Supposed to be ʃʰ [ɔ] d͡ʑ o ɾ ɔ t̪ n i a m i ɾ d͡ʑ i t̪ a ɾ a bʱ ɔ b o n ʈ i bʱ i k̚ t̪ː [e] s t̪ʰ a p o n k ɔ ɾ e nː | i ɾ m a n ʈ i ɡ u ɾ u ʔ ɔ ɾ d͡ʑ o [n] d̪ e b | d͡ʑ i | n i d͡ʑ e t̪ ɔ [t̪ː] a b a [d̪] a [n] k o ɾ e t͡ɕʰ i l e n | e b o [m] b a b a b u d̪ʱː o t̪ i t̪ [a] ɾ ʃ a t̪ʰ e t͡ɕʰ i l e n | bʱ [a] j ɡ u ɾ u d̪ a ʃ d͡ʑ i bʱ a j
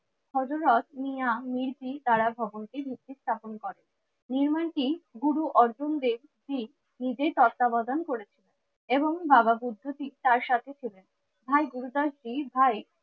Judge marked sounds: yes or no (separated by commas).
yes, no, yes, yes, yes, yes, no, yes, yes